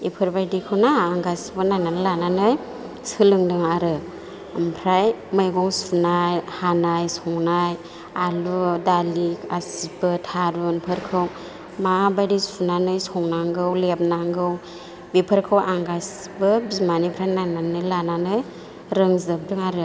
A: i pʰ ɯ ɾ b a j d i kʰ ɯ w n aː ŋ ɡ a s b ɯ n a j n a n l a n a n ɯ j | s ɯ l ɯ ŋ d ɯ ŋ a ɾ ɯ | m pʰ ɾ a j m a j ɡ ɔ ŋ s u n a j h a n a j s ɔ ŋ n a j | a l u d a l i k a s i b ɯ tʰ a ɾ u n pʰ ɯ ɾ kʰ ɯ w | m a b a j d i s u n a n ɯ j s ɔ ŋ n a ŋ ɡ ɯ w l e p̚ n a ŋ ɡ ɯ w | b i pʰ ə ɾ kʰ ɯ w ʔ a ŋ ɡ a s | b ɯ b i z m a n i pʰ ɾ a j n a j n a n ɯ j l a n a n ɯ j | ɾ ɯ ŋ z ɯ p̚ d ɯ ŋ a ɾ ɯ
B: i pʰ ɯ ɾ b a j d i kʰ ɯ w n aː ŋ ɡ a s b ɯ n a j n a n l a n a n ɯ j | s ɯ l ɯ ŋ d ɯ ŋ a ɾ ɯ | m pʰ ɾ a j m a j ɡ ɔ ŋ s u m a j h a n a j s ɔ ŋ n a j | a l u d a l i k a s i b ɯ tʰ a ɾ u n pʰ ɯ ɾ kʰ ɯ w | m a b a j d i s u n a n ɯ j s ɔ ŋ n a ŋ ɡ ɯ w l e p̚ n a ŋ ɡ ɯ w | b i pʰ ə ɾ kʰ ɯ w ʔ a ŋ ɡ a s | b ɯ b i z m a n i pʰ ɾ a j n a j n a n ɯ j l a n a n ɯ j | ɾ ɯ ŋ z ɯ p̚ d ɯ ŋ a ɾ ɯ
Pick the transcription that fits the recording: A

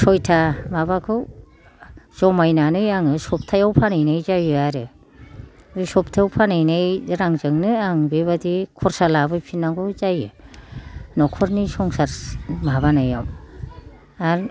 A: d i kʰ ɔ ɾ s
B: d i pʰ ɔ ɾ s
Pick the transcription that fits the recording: A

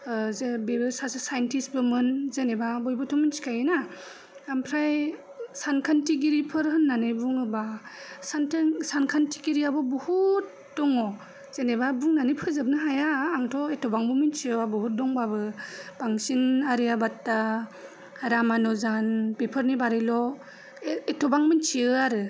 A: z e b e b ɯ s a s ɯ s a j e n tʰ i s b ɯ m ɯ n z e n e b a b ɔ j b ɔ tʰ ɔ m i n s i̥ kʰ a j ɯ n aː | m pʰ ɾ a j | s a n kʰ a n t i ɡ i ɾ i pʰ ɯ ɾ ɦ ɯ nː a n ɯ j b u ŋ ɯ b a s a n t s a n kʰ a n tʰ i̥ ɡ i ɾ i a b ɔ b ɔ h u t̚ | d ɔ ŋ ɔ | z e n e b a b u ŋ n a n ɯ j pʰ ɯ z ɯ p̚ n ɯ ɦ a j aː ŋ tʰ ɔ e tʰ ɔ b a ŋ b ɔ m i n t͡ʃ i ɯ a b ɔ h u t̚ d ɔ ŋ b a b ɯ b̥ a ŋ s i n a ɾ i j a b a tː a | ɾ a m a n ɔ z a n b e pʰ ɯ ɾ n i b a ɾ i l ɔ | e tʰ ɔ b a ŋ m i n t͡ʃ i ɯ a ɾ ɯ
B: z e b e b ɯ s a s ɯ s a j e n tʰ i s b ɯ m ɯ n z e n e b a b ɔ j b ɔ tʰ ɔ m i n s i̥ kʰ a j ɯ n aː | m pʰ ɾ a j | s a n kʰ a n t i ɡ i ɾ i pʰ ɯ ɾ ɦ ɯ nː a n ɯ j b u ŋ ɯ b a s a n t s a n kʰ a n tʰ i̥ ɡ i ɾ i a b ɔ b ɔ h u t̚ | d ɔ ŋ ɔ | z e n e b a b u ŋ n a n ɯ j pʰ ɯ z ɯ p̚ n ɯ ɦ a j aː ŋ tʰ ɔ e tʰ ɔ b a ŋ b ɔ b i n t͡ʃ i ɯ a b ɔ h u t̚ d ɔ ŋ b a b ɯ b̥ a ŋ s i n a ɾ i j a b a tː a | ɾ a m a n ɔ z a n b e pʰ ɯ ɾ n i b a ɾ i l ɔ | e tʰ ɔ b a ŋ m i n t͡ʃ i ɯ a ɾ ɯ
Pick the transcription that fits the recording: A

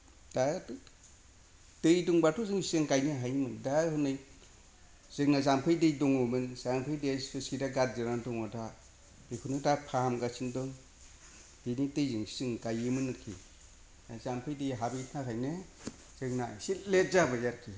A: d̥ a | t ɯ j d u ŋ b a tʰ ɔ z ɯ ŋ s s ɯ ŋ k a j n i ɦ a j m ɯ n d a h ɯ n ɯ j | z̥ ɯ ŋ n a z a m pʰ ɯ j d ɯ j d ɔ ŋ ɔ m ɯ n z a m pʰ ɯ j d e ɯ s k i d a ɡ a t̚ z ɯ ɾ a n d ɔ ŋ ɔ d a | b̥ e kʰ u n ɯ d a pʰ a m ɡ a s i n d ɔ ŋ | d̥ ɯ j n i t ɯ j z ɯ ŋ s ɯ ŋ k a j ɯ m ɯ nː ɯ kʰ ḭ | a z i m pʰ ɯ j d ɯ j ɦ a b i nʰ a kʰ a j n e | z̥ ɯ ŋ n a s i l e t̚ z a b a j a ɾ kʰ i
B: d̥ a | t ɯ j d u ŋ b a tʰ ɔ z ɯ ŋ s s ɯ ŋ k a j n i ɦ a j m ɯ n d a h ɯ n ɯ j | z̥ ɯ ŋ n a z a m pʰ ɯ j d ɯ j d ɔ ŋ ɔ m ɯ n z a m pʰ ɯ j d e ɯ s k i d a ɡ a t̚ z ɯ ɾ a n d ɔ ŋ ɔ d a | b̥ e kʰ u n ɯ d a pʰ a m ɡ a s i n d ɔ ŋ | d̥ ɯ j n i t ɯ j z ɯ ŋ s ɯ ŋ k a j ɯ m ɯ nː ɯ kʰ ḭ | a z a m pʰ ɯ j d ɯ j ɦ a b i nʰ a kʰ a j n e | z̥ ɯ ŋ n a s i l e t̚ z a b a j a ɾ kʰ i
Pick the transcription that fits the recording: B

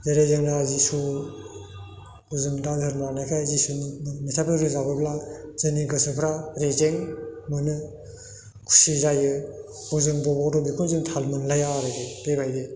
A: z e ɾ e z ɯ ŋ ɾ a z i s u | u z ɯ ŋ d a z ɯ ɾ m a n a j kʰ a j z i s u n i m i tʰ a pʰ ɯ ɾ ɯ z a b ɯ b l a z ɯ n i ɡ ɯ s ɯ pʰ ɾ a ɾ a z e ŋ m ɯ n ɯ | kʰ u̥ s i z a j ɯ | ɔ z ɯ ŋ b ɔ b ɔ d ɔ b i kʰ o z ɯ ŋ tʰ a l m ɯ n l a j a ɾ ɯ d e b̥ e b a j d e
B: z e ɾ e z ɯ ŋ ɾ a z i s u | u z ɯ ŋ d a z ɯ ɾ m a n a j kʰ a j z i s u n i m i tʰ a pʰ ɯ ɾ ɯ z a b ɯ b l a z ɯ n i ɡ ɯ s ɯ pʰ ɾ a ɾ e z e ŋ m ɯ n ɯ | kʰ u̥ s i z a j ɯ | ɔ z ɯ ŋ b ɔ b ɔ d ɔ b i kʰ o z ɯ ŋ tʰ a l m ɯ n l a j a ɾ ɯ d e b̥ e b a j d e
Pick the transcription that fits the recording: B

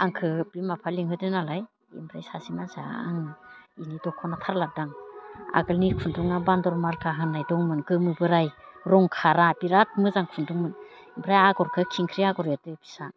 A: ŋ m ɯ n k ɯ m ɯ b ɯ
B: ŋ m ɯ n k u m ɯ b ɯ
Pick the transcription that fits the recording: A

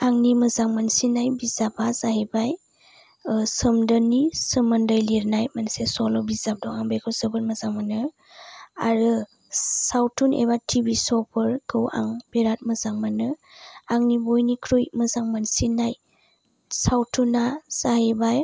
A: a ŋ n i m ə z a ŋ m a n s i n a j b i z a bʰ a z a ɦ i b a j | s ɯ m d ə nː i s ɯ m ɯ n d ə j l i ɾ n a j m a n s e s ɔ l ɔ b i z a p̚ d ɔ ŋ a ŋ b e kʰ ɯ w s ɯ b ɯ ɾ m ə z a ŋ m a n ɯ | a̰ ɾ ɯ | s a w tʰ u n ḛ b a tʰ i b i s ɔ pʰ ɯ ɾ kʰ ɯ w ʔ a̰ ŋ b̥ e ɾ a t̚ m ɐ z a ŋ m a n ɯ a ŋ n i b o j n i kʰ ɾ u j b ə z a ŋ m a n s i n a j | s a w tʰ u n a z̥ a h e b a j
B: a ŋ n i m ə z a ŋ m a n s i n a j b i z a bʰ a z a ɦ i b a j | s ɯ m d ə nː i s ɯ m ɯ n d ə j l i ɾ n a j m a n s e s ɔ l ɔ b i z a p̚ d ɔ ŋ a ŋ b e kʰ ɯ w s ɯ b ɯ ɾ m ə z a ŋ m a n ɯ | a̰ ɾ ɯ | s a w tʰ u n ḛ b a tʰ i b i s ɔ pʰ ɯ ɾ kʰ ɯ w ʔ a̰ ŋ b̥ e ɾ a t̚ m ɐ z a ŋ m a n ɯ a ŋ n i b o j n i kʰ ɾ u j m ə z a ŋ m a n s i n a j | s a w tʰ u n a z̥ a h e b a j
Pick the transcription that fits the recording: B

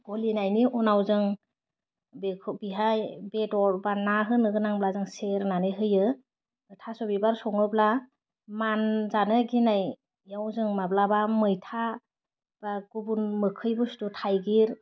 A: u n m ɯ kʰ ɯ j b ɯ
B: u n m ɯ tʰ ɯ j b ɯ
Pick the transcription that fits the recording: A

